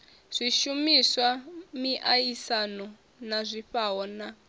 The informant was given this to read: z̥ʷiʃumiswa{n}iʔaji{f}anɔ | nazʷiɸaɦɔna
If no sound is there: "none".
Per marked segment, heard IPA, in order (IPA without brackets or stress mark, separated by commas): m, s